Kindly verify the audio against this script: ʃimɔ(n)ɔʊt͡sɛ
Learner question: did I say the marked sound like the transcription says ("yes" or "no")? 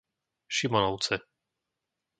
yes